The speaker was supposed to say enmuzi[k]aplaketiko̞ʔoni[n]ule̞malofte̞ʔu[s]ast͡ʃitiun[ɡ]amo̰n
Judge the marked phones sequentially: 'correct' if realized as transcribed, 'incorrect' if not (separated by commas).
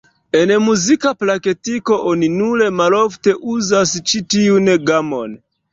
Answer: correct, correct, incorrect, correct